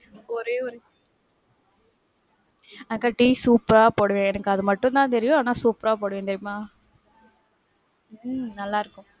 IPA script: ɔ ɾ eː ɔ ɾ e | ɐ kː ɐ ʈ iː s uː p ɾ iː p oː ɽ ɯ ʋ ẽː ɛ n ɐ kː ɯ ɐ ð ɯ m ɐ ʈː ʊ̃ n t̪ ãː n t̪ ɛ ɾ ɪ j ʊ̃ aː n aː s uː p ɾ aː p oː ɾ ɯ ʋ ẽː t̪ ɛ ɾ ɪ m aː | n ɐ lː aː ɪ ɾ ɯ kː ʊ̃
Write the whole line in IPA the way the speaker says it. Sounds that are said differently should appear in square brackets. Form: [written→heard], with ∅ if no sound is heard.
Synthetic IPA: ɔ ɾ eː ɔ ɾ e | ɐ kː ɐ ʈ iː s uː p ɾ [iː→aː] p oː ɽ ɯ ʋ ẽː ɛ n ɐ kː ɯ ɐ ð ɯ m ɐ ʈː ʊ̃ n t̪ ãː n t̪ ɛ ɾ ɪ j ʊ̃ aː n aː s uː p ɾ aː p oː [ɾ→ɽ] ɯ ʋ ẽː t̪ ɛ ɾ ɪ m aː | n ɐ lː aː ɪ ɾ ɯ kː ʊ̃

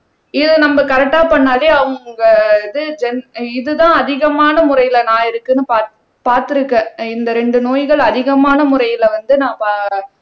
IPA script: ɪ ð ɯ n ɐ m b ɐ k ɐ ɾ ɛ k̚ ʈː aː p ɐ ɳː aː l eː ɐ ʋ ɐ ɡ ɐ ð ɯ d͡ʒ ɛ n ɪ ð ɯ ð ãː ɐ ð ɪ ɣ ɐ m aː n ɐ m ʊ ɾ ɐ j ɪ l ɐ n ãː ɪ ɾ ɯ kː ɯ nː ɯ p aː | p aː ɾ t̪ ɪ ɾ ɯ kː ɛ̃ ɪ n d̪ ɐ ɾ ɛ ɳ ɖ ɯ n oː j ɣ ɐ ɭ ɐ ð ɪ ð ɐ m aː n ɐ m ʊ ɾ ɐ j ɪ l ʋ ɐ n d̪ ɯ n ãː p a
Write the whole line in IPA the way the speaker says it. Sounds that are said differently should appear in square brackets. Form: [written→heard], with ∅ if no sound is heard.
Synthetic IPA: ɪ ð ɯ n ɐ m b ɐ k ɐ ɾ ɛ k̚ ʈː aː p ɐ ɳː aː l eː ɐ ʋ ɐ ɡ ɐ ð ɯ d͡ʒ ɛ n ɪ ð ɯ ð ãː ɐ ð ɪ ɣ ɐ m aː n ɐ m ʊ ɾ ɐ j ɪ l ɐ n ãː ɪ ɾ ɯ kː ɯ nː ɯ p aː | p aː ɾ t̪ ɪ ɾ ɯ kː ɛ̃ ɪ n d̪ ɐ ɾ ɛ ɳ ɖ ɯ n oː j ɣ ɐ ɭ ɐ ð ɪ [ð→ɣ] ɐ m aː n ɐ m ʊ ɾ ɐ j ɪ l ʋ ɐ n d̪ ɯ n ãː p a

